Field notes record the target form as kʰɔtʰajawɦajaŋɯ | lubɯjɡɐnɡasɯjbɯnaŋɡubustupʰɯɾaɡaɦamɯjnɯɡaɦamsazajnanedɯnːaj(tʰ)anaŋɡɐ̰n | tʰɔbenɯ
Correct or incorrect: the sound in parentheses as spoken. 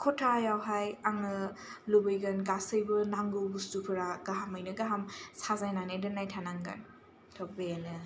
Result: correct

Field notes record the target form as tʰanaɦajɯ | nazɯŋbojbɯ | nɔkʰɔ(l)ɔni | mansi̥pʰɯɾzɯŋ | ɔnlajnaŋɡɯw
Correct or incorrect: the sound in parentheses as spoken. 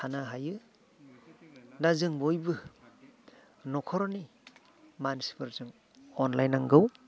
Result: incorrect: ɾ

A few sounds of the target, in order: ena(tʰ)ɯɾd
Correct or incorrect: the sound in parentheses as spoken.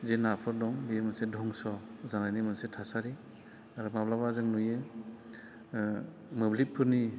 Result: incorrect: pʰ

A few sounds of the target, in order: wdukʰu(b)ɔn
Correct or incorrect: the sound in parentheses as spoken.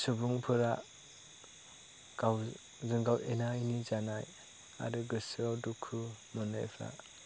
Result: incorrect: m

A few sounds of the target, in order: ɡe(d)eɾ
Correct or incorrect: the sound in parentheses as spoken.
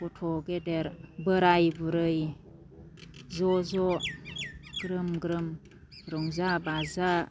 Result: correct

